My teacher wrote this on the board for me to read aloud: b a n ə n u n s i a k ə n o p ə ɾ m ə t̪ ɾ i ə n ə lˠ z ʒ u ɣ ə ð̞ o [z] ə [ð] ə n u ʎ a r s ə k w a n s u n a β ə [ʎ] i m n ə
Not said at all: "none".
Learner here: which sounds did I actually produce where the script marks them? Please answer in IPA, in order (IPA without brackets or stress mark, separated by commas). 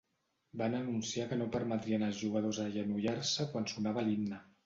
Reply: z, ʒ, l